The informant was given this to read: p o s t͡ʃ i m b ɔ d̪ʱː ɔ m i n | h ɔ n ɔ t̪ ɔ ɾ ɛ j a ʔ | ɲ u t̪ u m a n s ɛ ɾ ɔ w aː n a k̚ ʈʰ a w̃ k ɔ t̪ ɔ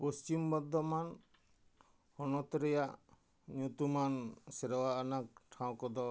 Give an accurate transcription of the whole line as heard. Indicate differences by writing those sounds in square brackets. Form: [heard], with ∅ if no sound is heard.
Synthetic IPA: p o s t͡ʃ i m b ɔ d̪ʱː ɔ m [a] n | h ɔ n ɔ t̪ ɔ ɾ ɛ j a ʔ | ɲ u t̪ u m a n s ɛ ɾ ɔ w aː n a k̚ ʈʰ a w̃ k ɔ [d̪] ɔ